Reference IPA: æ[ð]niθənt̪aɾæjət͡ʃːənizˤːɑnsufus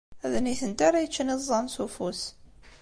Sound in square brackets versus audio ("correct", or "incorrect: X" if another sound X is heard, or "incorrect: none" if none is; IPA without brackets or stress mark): correct